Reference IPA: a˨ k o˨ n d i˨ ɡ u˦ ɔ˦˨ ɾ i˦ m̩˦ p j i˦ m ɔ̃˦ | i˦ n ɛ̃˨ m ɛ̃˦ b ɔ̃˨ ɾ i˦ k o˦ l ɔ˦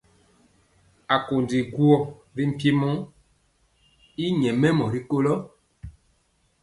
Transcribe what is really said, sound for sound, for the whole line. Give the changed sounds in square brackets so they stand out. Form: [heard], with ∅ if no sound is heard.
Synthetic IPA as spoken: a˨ k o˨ n d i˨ ɡ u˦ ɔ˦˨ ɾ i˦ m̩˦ p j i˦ m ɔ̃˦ | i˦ [ɲ] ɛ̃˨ m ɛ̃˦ [m] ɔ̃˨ ɾ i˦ k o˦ l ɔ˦

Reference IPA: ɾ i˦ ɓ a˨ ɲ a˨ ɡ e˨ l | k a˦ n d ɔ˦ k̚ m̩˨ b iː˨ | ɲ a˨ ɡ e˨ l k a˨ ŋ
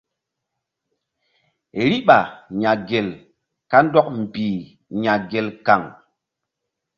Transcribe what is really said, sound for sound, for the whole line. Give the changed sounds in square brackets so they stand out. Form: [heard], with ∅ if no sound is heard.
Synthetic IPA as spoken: ɾ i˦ ɓ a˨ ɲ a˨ ɡ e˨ l | k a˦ n d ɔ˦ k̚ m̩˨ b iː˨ | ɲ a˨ ɡ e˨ l k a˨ ŋ

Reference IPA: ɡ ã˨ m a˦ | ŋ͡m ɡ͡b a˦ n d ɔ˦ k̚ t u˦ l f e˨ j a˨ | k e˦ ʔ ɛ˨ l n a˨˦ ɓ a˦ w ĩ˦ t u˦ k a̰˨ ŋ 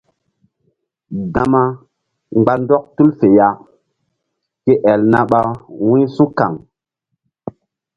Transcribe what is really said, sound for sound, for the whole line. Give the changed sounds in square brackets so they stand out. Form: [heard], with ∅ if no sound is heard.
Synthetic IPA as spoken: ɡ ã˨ m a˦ | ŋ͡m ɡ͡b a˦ n d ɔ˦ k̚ t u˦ l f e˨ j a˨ | k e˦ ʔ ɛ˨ l n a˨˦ ɓ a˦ w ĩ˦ [s] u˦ k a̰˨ ŋ

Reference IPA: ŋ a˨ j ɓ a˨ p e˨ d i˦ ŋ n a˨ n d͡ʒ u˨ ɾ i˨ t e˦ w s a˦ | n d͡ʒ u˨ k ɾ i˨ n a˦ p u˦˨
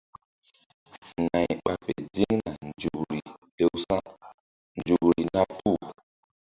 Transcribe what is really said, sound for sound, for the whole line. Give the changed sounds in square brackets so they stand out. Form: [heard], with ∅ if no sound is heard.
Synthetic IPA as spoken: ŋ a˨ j ɓ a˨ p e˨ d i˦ ŋ n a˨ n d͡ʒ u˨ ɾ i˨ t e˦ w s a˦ | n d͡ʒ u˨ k ɾ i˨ n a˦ p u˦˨

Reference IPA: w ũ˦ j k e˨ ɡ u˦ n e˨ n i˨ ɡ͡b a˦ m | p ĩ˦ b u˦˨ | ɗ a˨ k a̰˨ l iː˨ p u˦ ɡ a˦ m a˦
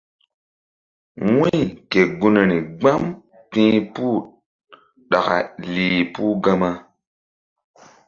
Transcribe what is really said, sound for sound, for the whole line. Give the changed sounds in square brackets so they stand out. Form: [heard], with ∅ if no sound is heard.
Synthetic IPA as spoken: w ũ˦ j k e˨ ɡ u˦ n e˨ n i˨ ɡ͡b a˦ m | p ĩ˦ [p] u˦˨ | ɗ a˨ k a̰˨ l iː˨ p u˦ ɡ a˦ m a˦

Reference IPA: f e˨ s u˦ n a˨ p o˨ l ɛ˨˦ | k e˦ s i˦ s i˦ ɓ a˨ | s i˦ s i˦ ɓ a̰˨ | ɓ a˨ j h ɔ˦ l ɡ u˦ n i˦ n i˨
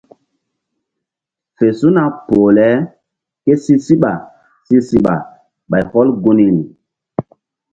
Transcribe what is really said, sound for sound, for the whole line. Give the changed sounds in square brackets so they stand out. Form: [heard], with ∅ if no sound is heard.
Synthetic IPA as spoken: f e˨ s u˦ n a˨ p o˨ l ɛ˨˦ | k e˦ s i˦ s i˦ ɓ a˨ | s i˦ s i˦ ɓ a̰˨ | ɓ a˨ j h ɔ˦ l ɡ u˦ n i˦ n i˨

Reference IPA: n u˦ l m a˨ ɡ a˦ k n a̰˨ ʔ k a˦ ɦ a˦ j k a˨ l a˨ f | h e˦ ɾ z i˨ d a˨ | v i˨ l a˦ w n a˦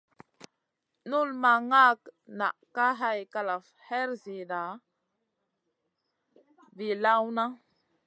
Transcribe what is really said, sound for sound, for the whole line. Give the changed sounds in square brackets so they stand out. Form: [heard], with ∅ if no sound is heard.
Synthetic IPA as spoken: n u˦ l m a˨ [ŋ] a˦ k n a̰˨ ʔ k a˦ ɦ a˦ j k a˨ l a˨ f | h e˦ ɾ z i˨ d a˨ | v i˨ l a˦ w n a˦

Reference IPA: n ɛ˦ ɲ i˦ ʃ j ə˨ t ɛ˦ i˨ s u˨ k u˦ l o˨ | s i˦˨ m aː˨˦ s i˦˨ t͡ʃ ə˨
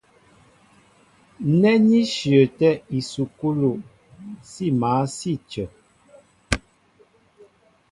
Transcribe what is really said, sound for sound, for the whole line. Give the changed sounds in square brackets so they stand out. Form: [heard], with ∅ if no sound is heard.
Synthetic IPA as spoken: n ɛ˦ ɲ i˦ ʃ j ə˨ t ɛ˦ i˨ s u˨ k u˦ l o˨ | s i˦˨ m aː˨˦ s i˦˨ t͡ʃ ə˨

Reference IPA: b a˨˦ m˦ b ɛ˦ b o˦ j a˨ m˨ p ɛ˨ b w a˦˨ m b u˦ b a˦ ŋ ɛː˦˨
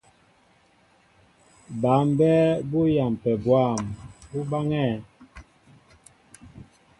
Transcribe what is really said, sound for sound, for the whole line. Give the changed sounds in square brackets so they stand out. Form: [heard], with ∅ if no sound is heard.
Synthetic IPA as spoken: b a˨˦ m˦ b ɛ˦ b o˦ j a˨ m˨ p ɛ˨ b w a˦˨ m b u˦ b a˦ ŋ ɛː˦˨

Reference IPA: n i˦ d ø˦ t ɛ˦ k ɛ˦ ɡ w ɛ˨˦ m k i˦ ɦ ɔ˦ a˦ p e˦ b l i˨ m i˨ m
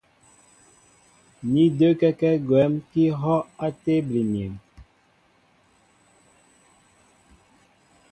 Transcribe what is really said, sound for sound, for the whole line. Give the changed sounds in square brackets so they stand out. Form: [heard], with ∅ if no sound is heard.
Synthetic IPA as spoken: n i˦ d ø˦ [k] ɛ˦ k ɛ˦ ɡ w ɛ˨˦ m k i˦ ɦ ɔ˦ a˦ [t] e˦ b l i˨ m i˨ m

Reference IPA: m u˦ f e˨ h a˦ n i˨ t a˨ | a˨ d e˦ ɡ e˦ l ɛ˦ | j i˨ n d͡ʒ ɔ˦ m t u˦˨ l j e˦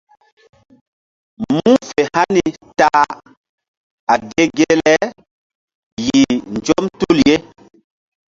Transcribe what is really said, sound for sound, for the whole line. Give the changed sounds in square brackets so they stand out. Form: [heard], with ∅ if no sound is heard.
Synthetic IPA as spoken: m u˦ f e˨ h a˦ n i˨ t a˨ | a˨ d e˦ ɡ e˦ l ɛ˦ | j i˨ n d͡ʒ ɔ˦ m t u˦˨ l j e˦

